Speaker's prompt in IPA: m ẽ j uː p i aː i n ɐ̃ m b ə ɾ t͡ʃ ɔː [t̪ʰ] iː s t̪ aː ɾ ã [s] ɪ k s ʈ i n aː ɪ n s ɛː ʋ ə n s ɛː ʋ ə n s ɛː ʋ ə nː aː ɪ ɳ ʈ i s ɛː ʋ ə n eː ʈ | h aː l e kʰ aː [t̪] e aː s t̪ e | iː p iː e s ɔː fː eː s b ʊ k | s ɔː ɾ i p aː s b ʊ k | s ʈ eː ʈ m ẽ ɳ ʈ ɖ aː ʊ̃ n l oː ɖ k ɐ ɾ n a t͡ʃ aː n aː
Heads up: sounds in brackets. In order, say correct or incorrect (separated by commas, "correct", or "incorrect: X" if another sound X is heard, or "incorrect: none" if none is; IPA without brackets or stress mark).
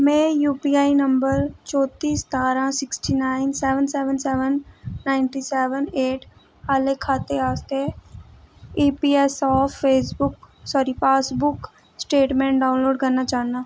incorrect: t̪, correct, correct